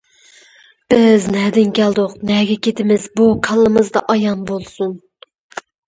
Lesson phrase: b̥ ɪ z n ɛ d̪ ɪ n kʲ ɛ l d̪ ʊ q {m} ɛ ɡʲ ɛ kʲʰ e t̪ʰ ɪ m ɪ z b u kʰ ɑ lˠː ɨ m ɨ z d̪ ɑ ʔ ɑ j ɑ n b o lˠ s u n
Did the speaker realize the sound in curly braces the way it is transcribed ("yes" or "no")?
no